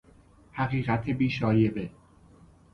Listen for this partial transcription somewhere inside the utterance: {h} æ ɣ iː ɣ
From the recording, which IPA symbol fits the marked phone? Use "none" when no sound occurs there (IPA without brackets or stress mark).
h